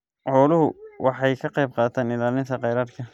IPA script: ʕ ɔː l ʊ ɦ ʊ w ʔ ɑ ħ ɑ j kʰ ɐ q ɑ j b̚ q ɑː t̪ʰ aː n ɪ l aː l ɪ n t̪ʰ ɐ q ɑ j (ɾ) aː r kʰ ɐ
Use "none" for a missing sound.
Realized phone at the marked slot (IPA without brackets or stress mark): ɾ